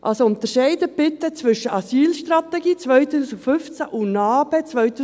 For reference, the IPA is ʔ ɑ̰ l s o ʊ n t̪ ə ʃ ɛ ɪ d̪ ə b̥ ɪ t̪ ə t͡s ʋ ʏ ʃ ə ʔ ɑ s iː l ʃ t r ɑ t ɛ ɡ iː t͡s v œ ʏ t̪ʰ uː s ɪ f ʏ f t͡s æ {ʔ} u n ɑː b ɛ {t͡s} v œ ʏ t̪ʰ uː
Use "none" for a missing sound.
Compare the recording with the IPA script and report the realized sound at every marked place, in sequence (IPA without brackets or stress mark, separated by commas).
ʔ, t͡s